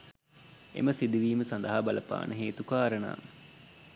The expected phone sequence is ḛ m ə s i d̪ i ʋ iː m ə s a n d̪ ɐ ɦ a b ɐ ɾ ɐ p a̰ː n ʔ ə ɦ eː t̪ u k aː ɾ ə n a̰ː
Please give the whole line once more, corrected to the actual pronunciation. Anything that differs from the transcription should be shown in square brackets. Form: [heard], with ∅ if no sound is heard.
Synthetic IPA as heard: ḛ m ə s i d̪ i ʋ iː m ə s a n d̪ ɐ ɦ a b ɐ [l] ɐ p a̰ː n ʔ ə ɦ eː t̪ u k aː ɾ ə n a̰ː